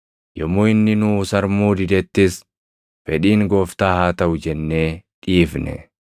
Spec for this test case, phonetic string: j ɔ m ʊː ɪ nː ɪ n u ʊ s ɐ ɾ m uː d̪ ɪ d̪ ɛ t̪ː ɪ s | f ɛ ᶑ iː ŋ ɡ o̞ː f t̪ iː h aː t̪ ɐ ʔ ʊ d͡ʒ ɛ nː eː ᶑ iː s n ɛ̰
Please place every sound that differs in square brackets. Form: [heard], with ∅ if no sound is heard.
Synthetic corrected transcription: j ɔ m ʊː ɪ nː ɪ n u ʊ s ɐ ɾ m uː d̪ ɪ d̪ ɛ t̪ː ɪ s | f ɛ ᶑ iː ŋ ɡ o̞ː f t̪ [aː] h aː t̪ ɐ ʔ ʊ d͡ʒ ɛ nː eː ᶑ iː [f] n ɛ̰